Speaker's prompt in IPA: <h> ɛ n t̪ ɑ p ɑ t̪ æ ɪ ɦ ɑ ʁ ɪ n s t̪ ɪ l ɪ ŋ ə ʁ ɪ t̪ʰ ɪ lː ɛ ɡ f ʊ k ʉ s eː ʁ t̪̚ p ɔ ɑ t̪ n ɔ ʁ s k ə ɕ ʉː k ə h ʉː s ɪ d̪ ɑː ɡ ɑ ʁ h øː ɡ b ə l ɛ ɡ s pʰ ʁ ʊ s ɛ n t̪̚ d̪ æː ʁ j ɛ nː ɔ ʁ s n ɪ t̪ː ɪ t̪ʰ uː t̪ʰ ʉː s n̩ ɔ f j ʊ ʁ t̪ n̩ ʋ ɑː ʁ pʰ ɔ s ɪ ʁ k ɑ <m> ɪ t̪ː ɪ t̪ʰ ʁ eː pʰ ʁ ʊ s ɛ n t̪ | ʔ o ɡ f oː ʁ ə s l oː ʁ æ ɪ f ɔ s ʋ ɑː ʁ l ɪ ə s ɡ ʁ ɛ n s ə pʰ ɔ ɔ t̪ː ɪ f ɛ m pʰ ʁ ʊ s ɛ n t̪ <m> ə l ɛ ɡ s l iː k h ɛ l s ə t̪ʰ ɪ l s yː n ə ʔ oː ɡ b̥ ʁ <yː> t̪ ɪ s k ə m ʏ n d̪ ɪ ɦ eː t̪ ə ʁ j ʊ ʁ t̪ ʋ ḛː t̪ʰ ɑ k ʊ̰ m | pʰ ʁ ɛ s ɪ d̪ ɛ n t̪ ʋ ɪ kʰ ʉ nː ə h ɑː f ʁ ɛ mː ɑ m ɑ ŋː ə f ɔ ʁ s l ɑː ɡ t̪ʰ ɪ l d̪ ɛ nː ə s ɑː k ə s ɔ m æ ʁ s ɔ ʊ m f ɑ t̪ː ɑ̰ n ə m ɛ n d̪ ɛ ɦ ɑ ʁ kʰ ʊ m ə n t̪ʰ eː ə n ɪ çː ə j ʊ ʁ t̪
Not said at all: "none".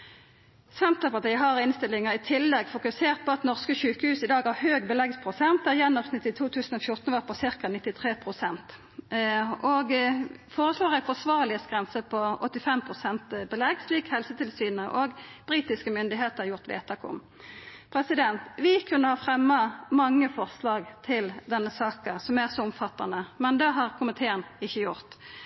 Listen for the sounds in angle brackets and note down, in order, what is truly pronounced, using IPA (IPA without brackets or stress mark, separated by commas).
s, n, b, iː